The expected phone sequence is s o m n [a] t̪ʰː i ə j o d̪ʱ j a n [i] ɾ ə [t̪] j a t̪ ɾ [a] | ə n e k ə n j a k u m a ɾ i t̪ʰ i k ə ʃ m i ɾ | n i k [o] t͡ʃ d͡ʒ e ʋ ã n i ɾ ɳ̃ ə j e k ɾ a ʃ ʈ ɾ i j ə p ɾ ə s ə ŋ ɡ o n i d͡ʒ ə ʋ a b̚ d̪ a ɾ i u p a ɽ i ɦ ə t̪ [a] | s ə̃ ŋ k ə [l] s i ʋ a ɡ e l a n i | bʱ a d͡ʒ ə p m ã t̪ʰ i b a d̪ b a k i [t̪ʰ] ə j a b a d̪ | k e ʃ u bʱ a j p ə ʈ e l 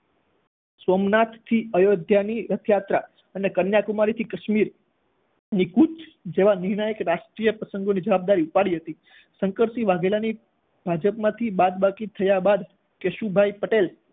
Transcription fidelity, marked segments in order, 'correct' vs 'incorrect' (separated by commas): correct, correct, incorrect, correct, incorrect, incorrect, incorrect, correct